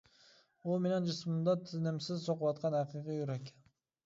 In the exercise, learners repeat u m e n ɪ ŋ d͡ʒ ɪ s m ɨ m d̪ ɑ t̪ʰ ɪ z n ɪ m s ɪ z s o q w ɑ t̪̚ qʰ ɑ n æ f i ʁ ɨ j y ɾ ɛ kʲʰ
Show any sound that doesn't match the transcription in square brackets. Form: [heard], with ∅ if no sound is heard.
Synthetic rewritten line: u m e n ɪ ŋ d͡ʒ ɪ s m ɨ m d̪ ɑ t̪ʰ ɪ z n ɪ m s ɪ z s o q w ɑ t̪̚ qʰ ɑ n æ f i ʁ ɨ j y ɾ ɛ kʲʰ